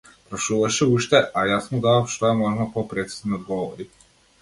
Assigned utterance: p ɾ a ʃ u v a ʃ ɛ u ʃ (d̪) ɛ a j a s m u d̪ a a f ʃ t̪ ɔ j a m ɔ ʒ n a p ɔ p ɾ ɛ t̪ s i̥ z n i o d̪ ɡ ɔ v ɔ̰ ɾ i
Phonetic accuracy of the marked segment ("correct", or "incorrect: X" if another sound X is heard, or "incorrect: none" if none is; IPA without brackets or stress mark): incorrect: t̪